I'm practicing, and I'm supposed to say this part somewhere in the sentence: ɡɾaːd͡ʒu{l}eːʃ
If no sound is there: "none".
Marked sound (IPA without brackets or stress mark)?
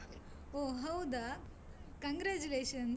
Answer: l